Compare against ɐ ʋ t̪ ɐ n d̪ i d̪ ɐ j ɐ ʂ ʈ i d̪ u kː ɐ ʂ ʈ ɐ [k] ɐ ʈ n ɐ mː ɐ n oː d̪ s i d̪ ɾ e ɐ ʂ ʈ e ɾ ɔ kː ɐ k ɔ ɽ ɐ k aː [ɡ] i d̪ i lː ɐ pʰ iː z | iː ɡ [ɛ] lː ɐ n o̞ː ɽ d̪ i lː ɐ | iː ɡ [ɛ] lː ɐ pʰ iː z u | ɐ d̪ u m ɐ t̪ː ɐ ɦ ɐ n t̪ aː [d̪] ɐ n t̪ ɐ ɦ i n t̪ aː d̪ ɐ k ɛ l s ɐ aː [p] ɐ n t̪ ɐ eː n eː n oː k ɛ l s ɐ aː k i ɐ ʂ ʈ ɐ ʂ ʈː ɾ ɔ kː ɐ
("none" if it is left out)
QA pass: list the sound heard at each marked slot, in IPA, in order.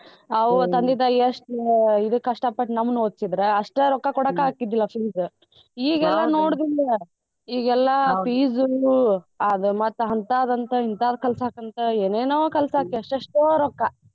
p, k, ɛ, ɛ, d̪, k

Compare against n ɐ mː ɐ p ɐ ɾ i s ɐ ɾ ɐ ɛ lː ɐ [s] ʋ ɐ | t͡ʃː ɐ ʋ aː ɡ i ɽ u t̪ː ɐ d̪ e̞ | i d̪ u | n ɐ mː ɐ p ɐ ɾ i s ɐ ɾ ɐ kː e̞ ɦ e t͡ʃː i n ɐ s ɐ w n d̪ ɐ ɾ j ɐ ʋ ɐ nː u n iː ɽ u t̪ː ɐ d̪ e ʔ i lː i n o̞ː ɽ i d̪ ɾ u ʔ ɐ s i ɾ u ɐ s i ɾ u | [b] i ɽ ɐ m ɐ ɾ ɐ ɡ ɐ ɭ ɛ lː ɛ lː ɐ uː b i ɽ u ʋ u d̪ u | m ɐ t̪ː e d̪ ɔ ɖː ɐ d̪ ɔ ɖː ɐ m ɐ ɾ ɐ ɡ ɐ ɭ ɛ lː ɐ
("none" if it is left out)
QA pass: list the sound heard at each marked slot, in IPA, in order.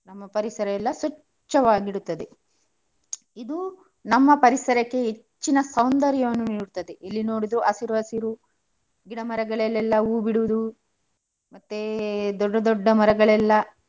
s, ɡ

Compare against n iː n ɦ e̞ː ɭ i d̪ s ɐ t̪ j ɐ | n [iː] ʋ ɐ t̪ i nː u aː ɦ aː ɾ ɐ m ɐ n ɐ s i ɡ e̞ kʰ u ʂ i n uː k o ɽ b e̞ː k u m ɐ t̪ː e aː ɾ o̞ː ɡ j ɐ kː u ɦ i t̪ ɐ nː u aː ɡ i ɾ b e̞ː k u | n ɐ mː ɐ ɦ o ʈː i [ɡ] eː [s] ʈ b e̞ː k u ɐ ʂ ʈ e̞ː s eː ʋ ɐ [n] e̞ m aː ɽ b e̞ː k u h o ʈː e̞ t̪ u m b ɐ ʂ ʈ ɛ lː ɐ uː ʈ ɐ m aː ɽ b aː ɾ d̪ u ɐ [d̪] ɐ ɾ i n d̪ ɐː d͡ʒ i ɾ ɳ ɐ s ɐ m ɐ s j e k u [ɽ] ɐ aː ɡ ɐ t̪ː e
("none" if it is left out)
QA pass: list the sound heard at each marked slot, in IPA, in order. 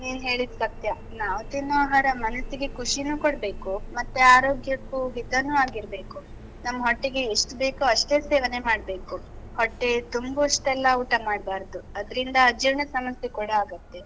aː, ɡ, ʂ, n, d̪, ɽ

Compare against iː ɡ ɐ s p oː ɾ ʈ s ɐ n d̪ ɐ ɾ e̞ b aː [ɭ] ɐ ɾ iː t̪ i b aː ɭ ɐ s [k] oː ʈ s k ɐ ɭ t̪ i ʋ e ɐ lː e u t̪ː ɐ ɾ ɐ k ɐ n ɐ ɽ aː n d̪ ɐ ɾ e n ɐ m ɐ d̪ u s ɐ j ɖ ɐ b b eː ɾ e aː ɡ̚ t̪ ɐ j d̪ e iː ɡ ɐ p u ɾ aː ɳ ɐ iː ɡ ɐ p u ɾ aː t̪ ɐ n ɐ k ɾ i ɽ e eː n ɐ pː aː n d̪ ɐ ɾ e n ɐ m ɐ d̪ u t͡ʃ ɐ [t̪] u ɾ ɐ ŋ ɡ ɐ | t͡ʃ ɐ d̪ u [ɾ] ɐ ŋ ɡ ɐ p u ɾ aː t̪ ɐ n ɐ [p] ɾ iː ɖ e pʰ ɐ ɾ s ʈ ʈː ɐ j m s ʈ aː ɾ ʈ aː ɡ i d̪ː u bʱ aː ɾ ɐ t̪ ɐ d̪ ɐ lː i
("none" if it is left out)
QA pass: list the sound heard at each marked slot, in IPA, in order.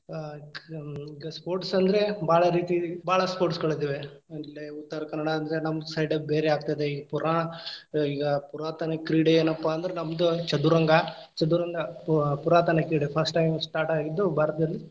ɭ, p, d̪, ɾ, k

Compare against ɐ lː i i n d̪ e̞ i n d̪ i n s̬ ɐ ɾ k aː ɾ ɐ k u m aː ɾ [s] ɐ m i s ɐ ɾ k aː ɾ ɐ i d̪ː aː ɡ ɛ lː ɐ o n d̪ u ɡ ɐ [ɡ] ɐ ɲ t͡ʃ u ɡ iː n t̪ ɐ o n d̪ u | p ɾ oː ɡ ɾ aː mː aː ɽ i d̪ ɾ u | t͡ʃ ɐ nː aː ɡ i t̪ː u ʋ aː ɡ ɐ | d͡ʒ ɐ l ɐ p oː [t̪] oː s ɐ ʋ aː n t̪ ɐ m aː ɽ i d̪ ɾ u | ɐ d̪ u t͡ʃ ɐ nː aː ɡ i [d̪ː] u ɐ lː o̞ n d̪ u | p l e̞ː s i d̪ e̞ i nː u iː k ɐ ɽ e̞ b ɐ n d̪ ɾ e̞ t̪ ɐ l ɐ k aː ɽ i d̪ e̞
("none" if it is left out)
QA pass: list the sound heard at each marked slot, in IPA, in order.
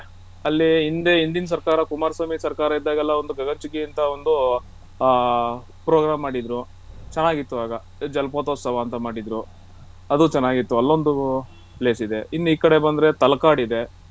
s, ɡ, t̪, t̪ː

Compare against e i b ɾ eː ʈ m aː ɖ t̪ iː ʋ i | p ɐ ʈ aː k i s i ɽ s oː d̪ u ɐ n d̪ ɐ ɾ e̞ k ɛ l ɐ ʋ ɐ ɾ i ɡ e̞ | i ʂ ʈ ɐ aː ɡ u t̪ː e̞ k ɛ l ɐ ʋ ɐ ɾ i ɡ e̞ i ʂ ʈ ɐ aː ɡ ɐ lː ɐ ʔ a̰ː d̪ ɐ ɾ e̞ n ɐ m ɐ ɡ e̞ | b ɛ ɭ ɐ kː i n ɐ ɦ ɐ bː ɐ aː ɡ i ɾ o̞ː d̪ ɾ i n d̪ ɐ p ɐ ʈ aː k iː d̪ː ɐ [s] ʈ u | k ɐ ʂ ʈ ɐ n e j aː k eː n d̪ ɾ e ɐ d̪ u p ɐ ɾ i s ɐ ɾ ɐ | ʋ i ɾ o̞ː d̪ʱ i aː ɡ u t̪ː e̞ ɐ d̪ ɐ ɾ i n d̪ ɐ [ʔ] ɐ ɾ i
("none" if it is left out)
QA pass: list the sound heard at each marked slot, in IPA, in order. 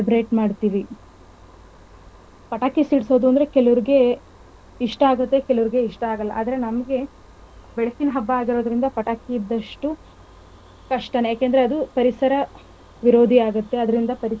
ʂ, p

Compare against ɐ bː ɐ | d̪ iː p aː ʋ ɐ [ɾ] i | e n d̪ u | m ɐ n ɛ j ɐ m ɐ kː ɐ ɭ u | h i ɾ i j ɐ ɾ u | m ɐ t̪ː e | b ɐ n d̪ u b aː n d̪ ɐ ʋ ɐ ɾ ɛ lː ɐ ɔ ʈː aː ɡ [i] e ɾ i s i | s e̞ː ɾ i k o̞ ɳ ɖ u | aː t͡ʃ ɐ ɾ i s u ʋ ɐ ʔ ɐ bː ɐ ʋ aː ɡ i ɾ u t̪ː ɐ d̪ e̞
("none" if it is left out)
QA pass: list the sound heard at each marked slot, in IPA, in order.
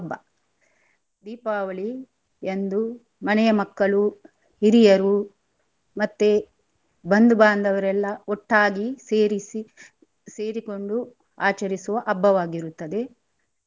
ɭ, i

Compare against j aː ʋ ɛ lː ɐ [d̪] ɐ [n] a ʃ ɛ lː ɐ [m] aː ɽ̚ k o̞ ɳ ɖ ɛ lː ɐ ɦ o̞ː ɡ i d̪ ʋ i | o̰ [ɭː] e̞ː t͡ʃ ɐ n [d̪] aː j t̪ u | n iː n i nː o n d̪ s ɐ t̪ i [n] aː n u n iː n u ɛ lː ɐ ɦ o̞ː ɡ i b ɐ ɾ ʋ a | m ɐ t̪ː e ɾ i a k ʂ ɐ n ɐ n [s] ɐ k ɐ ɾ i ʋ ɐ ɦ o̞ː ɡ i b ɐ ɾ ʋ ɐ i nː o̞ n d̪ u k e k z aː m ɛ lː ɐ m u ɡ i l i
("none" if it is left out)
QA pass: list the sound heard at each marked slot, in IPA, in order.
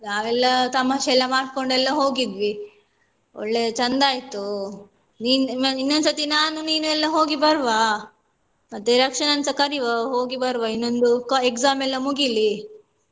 t̪, m, m, ɭː, d̪, n, s

